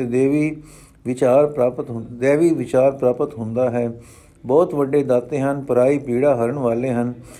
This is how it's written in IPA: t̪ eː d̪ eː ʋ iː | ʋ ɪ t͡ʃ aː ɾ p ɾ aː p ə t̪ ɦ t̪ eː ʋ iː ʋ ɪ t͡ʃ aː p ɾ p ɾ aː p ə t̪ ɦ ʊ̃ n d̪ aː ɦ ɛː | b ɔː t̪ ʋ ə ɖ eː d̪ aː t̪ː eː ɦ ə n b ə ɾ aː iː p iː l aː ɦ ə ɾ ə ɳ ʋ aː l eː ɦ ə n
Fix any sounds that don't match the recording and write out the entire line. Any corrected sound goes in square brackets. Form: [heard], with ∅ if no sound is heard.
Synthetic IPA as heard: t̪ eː d̪ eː ʋ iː | ʋ ɪ t͡ʃ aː ɾ p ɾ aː p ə t̪ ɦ [d̪] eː ʋ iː ʋ ɪ t͡ʃ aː [∅] ɾ p ɾ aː p ə t̪ ɦ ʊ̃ n d̪ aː ɦ ɛː | b ɔː t̪ ʋ ə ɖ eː d̪ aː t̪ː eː ɦ ə n [p] ə ɾ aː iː p iː [ɽ] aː ɦ ə ɾ ə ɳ ʋ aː l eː ɦ ə n